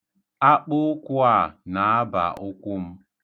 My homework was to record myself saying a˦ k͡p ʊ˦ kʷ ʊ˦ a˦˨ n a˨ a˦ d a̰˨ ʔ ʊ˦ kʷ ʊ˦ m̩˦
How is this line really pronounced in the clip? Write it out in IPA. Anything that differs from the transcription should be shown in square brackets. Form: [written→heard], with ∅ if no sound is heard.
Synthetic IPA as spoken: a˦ k͡p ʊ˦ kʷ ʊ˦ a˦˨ n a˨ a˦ [d→b] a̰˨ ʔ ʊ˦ kʷ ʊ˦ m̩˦